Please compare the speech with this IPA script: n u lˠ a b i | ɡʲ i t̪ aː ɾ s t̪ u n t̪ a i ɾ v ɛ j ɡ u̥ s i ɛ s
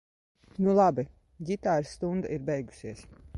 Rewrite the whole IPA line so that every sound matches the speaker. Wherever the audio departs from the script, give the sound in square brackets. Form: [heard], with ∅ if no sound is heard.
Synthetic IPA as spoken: n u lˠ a b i | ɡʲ i t̪ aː ɾ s t̪ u n [d̪] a i ɾ [b] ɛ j ɡ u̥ s i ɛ s